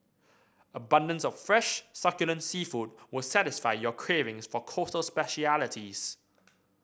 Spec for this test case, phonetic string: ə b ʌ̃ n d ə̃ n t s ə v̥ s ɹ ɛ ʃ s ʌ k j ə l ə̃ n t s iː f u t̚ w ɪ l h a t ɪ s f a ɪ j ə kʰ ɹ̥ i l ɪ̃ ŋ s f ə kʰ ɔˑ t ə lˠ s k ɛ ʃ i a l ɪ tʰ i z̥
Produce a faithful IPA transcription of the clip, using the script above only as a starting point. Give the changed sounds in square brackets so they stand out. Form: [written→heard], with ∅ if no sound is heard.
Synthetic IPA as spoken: ə b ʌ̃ n d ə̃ n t s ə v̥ [s→f] ɹ ɛ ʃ s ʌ k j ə l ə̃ n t s iː f u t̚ w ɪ l [h→s] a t ɪ s f a ɪ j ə kʰ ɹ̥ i [l→ɹ] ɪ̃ ŋ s f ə kʰ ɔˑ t ə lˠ s [k→p] ɛ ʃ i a l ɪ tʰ i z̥

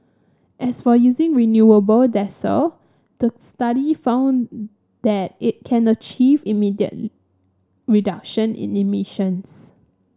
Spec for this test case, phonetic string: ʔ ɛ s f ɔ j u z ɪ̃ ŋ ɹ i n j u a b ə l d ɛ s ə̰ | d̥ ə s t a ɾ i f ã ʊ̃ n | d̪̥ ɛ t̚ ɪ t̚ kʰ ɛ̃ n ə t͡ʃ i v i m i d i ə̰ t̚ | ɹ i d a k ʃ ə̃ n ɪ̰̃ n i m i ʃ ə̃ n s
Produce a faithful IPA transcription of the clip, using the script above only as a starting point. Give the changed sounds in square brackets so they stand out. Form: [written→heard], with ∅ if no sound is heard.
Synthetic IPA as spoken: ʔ ɛ s f ɔ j u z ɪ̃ ŋ ɹ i n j u [a→ə] b ə l d ɛ s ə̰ | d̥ ə s t a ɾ i f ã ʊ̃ n | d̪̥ ɛ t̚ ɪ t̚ kʰ ɛ̃ n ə t͡ʃ i v i m i d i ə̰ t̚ | ɹ i d a k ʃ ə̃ n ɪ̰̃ n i m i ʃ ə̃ n s

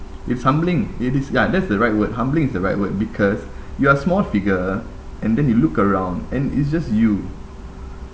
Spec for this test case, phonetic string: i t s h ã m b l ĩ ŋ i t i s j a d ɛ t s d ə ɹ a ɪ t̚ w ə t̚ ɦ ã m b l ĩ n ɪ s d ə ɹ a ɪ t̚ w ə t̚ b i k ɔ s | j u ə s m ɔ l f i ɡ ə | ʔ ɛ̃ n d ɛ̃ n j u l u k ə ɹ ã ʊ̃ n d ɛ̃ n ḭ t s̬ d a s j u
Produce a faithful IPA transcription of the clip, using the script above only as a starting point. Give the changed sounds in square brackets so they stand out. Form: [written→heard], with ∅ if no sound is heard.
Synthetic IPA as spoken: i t s h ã m b l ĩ ŋ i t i s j a d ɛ t s d ə ɹ a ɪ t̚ w ə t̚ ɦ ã m b l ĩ [n→ŋ] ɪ s d ə ɹ a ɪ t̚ w ə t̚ b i [k→kʰ] ɔ s | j u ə s m ɔ l f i ɡ ə | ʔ ɛ̃ n d ɛ̃ n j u l u k ə ɹ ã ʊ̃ n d ɛ̃ n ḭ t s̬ [d→d͡ʒ] a s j u

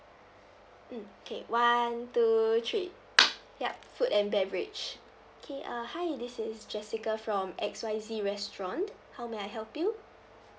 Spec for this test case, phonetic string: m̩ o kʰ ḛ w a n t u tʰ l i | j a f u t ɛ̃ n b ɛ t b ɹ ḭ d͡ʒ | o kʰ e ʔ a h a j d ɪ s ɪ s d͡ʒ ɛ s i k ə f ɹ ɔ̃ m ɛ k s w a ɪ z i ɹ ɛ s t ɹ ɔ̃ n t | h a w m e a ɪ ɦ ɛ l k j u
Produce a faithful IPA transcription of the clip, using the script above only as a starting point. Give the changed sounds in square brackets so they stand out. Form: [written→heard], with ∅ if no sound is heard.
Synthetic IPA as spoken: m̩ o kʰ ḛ w a n t u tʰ [l→ɹ] i | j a f u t ɛ̃ n b ɛ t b ɹ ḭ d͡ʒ | o kʰ e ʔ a h a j d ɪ s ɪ s d͡ʒ ɛ s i k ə f ɹ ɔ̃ m ɛ k s w a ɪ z i ɹ ɛ s t ɹ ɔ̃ n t | h a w m e a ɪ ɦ ɛ l [k→p] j u

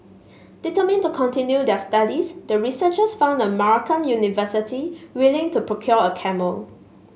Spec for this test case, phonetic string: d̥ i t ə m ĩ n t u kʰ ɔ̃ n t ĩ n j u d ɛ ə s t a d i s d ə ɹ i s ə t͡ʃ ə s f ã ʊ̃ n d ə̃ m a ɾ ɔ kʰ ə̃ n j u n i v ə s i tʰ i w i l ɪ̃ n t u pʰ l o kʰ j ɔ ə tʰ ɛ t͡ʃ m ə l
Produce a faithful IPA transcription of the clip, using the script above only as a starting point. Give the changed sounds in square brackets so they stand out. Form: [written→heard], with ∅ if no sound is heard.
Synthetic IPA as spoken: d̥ i t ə m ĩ n t u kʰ ɔ̃ n t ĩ n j u d ɛ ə s t a d i s d ə ɹ i s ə t͡ʃ ə s f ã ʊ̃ n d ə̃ m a [ɾ→ɹ] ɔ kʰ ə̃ n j u n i v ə s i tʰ i w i l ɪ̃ [n→ŋ] t u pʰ [l→ɹ] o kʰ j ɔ ə [tʰ→kʰ] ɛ [t͡ʃ→∅] m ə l

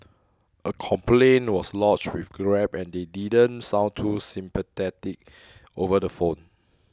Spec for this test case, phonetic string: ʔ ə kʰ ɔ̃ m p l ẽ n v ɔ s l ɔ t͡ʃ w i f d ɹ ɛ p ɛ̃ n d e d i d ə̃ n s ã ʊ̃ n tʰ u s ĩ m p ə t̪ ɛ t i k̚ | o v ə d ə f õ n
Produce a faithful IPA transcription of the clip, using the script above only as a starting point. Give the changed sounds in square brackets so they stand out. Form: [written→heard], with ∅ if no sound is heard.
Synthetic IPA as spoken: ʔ ə kʰ ɔ̃ m p l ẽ n [v→w] ɔ s l ɔ t͡ʃ w i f [d→ɡ] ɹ ɛ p ɛ̃ n d e d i d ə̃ n s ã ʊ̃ n tʰ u s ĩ m p ə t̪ ɛ t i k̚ | o v ə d ə f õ n

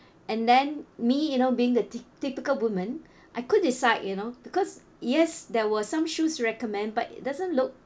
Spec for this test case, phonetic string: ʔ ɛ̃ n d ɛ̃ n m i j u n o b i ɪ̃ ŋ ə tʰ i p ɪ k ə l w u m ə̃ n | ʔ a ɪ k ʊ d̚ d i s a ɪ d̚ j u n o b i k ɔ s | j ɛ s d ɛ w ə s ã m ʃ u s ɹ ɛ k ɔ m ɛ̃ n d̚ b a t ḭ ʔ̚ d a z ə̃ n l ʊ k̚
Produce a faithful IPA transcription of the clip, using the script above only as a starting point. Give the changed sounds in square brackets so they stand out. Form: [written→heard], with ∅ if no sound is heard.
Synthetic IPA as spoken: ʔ ɛ̃ n d ɛ̃ n m i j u n o b i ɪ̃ ŋ ə [tʰ→t] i p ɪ k ə l w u m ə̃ n | ʔ a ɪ k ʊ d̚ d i s a ɪ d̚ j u n o b i k ɔ s | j ɛ s d ɛ w ə s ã m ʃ u s ɹ ɛ k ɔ m ɛ̃ n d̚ b a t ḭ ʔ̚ d a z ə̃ n l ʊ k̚

